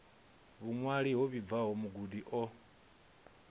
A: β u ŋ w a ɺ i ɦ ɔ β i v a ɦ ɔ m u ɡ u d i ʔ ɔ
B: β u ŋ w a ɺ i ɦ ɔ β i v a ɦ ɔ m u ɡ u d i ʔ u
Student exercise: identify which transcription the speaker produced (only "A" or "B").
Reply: A